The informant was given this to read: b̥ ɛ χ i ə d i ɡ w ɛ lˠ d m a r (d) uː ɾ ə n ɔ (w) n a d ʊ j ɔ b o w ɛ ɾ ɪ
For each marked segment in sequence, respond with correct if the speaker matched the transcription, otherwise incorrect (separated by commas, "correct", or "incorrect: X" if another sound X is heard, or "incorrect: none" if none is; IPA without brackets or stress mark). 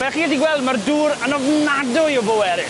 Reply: correct, incorrect: v